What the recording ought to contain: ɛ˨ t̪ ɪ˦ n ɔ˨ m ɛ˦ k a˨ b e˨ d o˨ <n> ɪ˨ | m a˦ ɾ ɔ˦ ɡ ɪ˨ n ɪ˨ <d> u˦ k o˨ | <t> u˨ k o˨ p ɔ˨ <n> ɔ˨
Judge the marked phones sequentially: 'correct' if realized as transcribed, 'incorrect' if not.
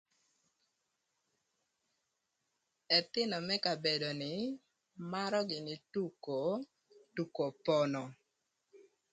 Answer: correct, incorrect, correct, correct

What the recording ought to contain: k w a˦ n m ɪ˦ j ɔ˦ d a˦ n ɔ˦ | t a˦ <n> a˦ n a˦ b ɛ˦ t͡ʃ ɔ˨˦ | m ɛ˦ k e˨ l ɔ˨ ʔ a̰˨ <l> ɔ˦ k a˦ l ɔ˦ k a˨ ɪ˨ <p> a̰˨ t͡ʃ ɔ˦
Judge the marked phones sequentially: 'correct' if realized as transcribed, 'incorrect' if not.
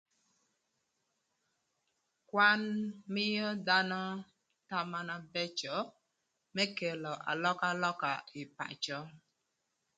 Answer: incorrect, correct, correct

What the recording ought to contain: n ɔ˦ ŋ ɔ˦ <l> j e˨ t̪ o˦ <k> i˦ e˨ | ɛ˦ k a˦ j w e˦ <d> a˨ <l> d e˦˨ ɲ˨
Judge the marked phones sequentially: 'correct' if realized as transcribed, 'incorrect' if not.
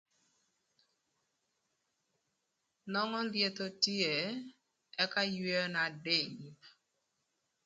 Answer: correct, incorrect, incorrect, incorrect

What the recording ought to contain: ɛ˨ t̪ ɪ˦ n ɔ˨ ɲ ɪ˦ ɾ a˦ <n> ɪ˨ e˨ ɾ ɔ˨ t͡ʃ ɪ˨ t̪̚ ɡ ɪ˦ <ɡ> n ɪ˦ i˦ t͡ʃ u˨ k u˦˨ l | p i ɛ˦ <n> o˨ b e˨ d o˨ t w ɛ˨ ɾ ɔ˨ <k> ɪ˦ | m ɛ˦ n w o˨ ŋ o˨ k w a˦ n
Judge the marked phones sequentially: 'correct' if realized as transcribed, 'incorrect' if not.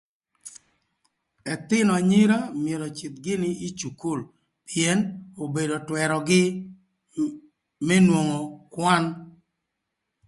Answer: incorrect, incorrect, correct, incorrect

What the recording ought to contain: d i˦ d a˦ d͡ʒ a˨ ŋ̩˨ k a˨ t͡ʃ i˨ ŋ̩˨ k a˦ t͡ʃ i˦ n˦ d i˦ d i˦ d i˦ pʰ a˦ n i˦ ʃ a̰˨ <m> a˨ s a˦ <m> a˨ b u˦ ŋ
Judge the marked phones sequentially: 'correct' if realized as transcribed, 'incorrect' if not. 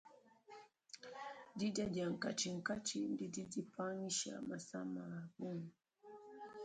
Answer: correct, correct

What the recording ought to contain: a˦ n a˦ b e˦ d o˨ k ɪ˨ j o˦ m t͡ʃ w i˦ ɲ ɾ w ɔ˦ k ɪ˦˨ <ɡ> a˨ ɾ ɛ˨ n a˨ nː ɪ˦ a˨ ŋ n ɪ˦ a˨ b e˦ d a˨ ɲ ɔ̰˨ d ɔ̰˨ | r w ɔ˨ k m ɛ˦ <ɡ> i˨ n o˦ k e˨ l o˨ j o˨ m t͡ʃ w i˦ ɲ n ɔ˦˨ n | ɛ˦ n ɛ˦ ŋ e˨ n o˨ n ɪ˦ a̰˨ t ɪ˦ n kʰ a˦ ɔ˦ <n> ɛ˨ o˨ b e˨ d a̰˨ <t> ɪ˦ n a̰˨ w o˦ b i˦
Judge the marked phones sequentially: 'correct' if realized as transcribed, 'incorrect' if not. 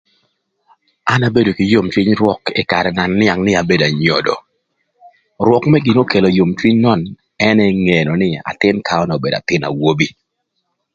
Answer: incorrect, correct, correct, correct

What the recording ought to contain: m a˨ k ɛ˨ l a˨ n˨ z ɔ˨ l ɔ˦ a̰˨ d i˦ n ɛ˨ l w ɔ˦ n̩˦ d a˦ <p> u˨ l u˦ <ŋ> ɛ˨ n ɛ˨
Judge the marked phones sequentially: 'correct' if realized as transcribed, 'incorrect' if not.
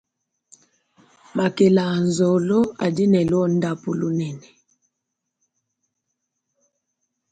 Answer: correct, incorrect

